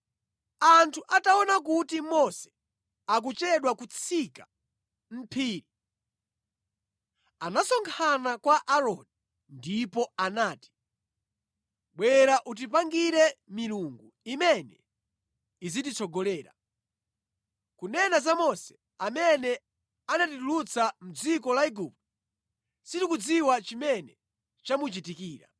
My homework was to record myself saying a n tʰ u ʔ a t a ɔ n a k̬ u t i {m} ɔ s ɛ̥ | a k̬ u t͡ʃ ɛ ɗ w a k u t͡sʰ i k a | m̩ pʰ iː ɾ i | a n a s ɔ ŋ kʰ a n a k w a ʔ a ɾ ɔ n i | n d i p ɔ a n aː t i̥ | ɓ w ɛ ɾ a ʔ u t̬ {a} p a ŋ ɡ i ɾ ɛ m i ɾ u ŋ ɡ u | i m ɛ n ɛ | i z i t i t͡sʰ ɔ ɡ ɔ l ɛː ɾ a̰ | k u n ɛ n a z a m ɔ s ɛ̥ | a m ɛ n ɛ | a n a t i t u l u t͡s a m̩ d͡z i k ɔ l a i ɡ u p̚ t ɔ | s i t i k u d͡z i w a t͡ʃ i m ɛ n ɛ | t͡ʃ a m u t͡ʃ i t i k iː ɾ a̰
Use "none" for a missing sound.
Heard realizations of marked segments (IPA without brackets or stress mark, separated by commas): m, i